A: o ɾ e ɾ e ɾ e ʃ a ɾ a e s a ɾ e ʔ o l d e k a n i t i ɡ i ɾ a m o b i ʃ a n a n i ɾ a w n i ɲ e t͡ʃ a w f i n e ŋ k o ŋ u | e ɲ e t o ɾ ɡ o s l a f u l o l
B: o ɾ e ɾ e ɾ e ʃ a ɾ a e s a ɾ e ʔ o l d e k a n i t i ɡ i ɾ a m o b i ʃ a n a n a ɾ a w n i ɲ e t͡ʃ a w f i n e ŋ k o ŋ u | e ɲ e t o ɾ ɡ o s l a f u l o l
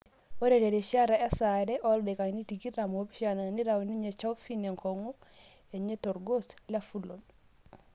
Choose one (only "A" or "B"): A